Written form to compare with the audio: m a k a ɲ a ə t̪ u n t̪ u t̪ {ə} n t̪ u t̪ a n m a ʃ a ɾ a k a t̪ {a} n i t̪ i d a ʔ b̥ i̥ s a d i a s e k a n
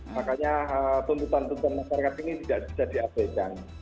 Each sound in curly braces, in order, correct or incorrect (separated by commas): incorrect, incorrect